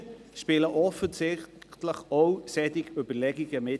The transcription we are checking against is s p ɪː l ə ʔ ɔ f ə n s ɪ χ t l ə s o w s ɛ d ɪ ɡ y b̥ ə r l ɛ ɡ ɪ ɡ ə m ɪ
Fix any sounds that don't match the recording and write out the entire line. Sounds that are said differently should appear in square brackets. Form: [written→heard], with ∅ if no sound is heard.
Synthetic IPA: [s→ʃ] p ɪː l ə ʔ ɔ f ə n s ɪ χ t l ə [s→χ] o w s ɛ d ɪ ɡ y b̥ ə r l ɛ ɡ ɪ ɡ ə m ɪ